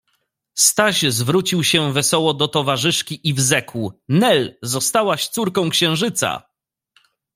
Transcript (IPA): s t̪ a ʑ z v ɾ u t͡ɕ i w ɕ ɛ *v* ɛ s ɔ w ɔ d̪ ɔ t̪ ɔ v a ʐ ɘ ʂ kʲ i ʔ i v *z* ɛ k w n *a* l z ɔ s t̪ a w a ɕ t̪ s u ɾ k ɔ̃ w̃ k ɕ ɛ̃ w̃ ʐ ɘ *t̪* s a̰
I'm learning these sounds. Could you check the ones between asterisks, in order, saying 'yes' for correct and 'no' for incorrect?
yes, yes, no, yes

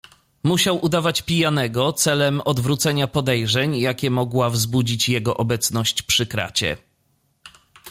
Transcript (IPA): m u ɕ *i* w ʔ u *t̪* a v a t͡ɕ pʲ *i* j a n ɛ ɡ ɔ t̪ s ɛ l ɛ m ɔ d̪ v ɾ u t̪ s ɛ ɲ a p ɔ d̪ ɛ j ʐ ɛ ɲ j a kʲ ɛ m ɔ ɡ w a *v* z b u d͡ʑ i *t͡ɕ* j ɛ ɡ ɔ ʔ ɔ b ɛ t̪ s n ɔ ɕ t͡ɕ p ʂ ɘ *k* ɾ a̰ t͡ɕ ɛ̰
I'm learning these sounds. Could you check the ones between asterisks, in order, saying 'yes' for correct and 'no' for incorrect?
no, no, yes, yes, yes, yes

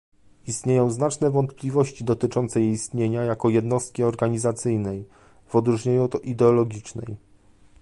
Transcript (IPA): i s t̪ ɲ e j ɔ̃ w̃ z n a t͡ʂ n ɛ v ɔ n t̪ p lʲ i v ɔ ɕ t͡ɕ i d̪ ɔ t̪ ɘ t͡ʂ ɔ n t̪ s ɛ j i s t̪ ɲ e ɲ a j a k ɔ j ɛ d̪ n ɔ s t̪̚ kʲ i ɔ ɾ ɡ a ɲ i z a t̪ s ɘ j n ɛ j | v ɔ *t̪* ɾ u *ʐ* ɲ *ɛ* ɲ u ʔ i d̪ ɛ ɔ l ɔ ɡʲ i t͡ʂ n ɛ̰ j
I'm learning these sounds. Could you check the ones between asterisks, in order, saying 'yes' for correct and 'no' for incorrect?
no, yes, no

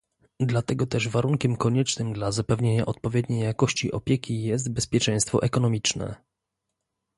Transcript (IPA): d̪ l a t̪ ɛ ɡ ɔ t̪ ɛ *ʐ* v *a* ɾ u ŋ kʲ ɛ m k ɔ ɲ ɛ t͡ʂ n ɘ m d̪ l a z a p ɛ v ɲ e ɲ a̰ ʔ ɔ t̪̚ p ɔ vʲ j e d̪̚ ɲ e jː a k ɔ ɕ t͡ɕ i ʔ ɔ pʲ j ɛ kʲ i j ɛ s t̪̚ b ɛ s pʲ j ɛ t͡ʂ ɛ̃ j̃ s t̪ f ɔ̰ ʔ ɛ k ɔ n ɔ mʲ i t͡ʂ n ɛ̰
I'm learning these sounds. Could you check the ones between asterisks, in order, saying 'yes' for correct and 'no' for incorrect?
yes, yes

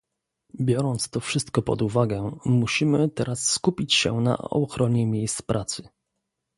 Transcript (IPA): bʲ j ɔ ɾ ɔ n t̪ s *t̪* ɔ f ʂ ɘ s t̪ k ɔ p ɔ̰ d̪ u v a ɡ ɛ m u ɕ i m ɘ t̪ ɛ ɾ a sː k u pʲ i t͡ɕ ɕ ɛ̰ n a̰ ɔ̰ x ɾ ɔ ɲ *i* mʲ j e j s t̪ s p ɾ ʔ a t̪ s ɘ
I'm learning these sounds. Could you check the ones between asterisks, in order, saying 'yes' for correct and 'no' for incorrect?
yes, no

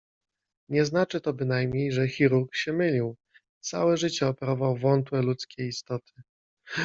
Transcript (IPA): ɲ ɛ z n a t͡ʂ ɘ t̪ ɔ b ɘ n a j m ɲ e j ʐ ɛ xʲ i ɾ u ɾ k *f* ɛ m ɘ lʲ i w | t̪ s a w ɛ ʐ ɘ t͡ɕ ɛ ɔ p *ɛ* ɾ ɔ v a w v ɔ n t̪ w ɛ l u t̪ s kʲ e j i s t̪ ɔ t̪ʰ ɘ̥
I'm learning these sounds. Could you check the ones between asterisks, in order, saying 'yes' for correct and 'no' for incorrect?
no, yes

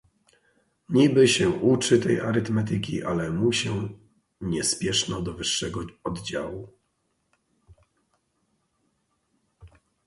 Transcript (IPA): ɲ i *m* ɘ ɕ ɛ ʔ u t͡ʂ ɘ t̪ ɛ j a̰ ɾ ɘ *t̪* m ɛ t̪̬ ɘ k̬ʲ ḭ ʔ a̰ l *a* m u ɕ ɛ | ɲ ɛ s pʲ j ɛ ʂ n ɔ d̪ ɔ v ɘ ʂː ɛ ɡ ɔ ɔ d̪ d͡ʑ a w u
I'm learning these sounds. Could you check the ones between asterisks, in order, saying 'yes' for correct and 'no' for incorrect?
no, yes, no

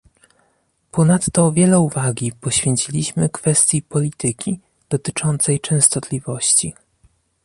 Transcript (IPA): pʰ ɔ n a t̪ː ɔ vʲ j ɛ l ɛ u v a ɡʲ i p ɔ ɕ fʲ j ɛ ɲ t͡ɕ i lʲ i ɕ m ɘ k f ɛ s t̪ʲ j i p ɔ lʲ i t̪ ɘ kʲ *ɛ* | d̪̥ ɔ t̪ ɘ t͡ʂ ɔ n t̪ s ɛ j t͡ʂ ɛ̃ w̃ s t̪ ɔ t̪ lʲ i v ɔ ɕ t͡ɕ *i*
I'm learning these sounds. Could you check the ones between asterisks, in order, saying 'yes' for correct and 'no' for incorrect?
no, yes

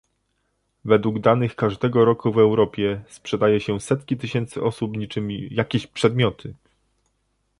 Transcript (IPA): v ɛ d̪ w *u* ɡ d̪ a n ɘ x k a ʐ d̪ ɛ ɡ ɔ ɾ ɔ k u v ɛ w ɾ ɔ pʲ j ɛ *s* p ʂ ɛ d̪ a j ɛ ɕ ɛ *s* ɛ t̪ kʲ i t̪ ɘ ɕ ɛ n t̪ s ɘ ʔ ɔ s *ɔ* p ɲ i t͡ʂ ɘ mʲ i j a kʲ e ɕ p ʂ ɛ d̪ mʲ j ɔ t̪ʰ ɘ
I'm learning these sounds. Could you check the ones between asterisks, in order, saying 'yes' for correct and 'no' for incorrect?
yes, yes, yes, no

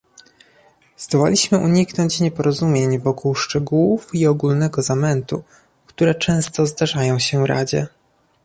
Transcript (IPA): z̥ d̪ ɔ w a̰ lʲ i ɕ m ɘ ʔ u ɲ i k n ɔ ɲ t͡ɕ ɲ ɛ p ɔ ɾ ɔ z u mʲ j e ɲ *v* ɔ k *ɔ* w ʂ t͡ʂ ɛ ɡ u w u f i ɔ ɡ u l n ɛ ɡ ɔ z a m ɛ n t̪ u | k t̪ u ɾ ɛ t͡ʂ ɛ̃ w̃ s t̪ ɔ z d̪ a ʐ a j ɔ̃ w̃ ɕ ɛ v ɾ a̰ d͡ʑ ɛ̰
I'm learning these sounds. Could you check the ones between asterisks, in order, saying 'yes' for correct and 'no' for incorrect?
yes, no

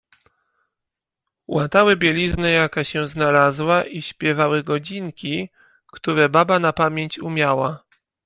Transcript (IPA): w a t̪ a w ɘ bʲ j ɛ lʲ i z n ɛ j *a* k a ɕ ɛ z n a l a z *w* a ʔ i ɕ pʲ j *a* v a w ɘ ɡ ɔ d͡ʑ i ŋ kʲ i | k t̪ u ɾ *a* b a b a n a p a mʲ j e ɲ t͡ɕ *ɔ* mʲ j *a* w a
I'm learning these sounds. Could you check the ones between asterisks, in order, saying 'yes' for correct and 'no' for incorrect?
yes, yes, no, no, no, yes

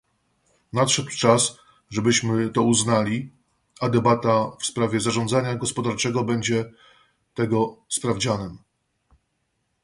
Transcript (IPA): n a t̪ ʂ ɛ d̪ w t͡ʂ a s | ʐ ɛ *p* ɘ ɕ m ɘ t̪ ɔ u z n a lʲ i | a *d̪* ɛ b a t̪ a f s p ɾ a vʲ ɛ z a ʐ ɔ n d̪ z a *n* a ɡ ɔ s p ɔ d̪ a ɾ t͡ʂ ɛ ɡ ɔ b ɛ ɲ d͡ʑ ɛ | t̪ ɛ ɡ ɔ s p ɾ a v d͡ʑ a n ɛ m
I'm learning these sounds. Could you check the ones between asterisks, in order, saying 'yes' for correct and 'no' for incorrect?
no, yes, no

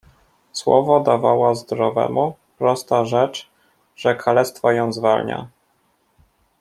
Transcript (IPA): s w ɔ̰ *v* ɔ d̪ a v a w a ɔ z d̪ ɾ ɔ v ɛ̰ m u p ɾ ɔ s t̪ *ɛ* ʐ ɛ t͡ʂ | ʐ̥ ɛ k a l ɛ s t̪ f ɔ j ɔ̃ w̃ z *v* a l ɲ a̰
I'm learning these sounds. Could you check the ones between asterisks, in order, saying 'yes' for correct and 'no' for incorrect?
yes, no, yes

